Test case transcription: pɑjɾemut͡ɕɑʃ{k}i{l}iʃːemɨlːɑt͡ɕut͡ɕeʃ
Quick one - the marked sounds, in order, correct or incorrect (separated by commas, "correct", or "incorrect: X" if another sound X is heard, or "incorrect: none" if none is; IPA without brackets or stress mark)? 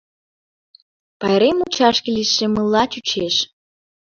correct, correct